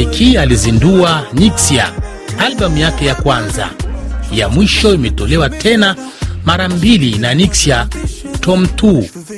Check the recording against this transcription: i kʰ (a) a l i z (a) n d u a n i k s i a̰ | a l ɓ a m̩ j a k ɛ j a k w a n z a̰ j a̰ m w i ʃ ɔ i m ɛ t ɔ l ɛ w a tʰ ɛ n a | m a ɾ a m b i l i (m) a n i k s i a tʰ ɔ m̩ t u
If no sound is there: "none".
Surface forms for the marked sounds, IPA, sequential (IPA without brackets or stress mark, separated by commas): i, i, n